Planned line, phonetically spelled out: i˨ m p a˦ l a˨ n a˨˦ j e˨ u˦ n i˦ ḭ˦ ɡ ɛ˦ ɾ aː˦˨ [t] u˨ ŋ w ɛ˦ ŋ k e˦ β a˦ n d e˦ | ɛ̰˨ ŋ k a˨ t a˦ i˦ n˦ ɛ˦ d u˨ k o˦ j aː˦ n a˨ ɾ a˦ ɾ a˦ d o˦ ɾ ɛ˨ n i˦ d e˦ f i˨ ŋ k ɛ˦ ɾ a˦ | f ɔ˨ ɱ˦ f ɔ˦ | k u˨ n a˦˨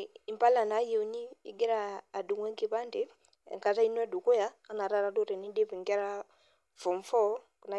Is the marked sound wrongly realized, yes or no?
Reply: yes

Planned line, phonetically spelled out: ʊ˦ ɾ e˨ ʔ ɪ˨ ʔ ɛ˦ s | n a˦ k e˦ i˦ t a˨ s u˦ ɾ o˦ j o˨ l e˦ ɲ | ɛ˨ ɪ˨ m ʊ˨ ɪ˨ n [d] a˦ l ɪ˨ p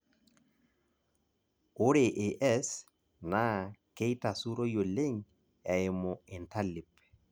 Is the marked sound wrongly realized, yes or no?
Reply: yes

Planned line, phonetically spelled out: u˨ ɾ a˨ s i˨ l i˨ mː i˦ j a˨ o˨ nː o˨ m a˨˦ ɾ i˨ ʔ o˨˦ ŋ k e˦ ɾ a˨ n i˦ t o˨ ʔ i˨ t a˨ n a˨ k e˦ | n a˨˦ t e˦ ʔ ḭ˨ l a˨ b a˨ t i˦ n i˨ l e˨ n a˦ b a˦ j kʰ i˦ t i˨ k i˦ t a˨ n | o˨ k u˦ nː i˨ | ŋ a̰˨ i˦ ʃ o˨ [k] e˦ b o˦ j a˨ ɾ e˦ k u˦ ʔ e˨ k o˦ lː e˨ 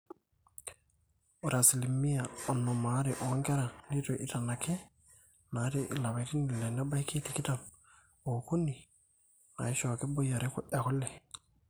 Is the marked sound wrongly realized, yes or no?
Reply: no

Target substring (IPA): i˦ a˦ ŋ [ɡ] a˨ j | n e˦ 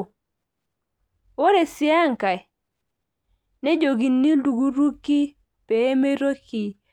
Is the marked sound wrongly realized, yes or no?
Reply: yes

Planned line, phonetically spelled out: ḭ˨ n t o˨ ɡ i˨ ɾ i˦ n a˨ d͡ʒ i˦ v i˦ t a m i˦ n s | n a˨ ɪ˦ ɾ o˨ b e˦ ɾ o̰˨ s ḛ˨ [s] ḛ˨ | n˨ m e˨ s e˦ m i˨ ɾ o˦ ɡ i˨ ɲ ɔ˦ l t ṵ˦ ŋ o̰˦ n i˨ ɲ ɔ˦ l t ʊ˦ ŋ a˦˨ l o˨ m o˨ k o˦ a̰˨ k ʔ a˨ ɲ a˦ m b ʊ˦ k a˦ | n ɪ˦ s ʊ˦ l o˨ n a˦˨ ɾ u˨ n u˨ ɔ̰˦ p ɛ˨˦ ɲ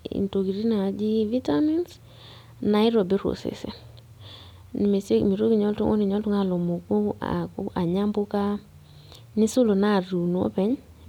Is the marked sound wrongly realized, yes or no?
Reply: no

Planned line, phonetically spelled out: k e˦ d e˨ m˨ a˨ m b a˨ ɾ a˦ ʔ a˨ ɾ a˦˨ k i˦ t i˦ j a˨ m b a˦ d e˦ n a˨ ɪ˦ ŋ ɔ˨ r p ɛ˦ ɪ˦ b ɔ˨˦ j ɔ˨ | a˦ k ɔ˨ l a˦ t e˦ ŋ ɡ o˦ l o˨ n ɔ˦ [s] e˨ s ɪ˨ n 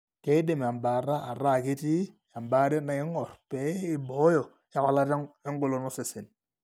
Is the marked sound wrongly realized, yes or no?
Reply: no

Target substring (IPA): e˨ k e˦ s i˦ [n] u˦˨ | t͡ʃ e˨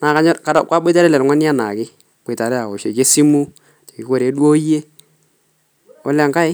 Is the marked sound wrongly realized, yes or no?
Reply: yes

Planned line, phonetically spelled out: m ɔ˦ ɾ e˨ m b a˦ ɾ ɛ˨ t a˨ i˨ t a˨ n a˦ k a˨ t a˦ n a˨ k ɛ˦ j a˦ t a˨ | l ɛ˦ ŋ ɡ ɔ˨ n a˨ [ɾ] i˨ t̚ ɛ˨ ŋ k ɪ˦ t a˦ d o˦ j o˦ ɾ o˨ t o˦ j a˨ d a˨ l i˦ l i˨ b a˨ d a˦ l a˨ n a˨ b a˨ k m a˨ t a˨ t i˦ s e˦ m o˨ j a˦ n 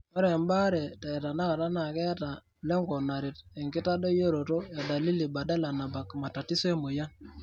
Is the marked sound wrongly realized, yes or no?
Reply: no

